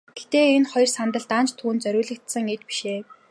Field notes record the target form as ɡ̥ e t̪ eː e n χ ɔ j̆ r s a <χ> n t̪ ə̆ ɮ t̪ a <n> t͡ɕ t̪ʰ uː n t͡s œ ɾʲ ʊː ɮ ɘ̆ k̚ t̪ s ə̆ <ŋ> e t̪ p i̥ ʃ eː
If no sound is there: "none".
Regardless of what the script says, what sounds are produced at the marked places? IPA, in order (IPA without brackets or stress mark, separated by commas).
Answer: none, n, ŋ